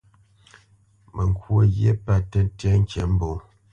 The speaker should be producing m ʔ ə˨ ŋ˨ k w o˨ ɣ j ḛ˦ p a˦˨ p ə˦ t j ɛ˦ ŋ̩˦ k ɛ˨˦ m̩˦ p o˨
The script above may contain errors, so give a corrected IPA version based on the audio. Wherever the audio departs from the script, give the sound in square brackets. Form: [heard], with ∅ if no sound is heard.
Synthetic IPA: m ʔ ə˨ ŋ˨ k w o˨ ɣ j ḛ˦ p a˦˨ [t] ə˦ t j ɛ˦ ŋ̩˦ k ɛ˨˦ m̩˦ [b] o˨